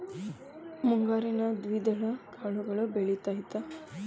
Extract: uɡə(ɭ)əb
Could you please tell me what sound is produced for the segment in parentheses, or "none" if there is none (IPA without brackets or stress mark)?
ɭ